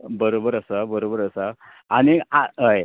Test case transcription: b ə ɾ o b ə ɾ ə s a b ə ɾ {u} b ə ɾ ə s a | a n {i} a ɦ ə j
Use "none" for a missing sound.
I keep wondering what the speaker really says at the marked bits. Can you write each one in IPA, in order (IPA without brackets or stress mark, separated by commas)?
o, i